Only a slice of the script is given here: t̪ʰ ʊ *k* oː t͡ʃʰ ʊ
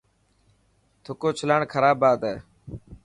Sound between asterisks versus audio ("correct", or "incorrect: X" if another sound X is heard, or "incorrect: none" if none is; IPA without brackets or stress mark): correct